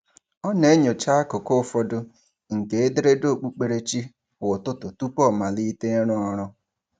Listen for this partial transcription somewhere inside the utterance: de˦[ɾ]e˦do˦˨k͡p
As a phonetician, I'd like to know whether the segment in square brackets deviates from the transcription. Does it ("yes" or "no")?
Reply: no